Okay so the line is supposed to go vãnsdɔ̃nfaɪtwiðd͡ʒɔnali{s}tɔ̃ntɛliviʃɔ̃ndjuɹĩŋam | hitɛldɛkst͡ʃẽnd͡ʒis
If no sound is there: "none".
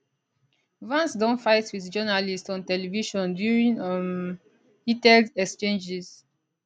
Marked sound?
s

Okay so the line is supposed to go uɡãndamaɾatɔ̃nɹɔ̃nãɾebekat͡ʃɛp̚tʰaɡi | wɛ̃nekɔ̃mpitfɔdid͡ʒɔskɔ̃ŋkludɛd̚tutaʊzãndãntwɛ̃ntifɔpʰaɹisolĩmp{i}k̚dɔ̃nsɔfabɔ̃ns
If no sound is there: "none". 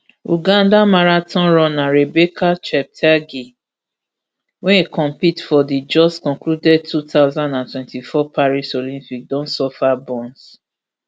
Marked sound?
i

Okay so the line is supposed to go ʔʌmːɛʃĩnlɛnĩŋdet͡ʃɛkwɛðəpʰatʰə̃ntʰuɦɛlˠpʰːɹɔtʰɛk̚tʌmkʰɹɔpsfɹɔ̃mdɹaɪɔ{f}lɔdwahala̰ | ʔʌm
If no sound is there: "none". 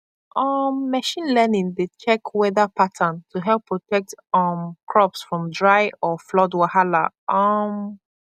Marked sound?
f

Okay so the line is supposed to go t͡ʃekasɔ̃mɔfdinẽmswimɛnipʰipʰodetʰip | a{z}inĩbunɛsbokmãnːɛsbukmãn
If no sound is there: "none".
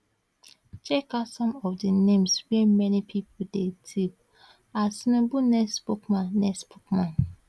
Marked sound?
s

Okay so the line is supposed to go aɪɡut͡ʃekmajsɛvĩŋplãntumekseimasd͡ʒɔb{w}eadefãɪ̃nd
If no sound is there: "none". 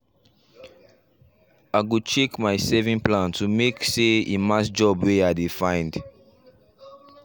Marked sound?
w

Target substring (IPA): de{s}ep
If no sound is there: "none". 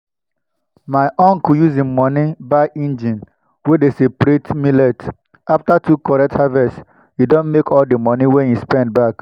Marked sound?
s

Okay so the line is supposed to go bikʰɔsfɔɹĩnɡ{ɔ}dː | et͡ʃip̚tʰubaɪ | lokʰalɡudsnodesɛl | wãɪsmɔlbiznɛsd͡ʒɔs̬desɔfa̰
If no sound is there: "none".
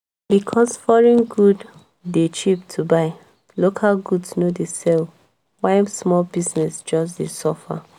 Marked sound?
u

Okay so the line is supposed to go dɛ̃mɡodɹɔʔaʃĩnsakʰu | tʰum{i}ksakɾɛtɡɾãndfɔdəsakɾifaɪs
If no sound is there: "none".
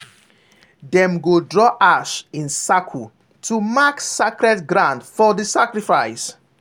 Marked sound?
a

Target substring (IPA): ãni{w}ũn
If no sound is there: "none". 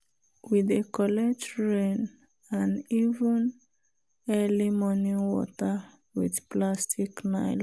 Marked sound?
v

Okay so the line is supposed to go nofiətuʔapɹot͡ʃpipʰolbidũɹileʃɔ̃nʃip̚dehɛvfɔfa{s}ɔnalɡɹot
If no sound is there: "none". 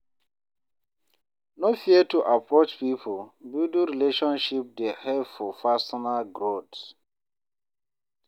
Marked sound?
s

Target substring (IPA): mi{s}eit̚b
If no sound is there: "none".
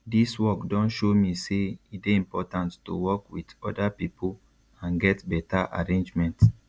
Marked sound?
s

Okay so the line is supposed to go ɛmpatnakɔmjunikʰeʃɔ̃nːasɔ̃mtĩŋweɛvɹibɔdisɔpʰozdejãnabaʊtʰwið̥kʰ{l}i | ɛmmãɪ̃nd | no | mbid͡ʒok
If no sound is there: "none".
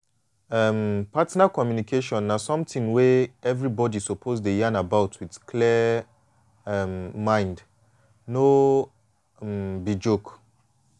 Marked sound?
l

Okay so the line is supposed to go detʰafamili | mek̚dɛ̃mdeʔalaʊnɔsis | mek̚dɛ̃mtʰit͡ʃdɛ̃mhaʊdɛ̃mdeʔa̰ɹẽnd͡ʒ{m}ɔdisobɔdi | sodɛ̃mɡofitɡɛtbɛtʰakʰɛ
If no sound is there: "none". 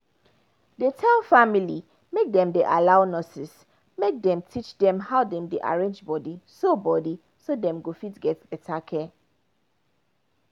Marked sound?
b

